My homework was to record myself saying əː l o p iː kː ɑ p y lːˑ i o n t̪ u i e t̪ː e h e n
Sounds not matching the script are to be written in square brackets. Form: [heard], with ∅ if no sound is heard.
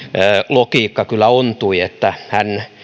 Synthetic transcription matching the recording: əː l o [k] iː kː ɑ [k] y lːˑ [æ] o n t̪ u i e t̪ː [æ] h [æ] n